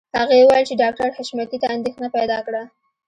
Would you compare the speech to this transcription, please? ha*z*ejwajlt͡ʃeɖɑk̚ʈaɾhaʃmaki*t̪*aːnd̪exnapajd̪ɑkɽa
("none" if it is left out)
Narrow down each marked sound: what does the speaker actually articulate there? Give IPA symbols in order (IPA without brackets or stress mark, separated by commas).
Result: ɣ, t̪